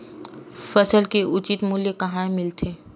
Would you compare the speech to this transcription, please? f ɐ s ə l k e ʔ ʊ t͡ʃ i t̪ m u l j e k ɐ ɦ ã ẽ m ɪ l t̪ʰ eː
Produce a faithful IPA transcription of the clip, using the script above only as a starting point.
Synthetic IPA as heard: f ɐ s ə l k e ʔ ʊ t͡ʃ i t̪ m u l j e k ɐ ɦ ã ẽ m ɪ l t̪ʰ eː